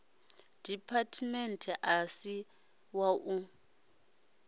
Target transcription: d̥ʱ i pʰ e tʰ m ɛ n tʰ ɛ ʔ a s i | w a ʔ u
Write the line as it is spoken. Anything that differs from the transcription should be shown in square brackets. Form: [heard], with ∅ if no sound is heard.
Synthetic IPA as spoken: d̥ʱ i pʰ [a] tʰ m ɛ n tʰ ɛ ʔ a s i | w a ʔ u